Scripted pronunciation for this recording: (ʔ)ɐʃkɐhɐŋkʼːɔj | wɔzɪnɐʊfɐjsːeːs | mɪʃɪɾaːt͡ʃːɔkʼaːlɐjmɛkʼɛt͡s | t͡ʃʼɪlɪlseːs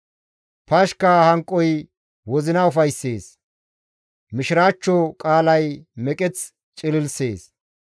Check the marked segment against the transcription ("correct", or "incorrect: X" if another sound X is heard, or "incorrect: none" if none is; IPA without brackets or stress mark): incorrect: p